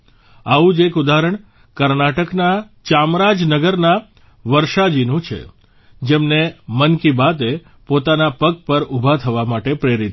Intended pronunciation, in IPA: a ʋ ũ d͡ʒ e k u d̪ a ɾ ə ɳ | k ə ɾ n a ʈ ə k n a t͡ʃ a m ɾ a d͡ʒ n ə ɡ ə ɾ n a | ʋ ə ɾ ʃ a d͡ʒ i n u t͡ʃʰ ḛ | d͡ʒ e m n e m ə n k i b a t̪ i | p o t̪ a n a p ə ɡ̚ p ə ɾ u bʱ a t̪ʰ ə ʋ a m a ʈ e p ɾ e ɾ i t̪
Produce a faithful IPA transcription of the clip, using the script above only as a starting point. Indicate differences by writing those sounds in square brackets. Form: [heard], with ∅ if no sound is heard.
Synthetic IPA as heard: a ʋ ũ d͡ʒ e k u d̪ a ɾ ə ɳ | k ə ɾ n a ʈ ə k n a t͡ʃ a m ɾ a d͡ʒ n ə ɡ ə ɾ n a | ʋ ə ɾ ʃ a d͡ʒ i n [ũ] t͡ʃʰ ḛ | d͡ʒ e m n e m ə n k i b a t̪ [e] | p o t̪ a n a p ə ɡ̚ p ə ɾ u bʱ a t̪ʰ ə ʋ a m a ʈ e p ɾ e ɾ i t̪